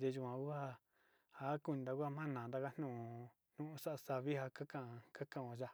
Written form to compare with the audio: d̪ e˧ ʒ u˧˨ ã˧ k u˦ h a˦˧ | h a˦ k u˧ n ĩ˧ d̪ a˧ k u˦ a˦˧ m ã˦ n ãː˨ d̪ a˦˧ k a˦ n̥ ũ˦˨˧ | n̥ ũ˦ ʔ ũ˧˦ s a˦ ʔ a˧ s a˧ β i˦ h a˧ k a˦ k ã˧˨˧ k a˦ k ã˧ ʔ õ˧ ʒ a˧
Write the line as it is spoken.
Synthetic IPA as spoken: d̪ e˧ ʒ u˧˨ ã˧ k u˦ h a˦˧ | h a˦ k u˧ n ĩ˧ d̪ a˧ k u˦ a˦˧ m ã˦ n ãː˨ d̪ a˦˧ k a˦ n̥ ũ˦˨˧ | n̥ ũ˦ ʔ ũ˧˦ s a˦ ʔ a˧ s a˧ β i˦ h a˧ k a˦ k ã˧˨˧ k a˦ k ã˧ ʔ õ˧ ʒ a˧